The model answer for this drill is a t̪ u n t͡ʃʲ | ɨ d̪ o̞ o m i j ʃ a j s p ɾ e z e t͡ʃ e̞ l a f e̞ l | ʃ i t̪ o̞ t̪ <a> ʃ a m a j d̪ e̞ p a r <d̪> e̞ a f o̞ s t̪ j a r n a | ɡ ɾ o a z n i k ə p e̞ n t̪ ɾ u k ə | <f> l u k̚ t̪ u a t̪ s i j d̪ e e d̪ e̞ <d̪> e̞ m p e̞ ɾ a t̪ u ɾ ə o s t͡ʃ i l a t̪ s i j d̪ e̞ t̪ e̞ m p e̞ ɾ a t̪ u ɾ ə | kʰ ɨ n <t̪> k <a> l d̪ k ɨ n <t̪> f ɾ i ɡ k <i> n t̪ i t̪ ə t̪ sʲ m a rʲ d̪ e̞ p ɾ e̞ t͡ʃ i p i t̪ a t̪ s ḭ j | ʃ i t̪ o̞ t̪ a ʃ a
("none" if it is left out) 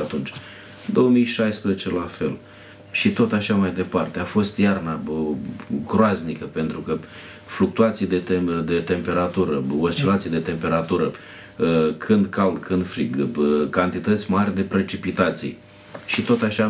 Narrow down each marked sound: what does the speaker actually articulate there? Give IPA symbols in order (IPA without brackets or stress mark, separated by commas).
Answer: a, t̪, f, t̪, d̪, a, d̪, a